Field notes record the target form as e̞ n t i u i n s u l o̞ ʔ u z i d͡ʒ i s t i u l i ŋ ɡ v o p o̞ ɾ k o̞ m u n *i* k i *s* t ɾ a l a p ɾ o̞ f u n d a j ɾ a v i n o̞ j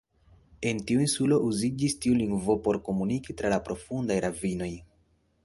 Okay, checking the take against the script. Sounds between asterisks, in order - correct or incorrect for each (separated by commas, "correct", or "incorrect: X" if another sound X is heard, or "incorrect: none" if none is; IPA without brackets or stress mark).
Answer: correct, incorrect: none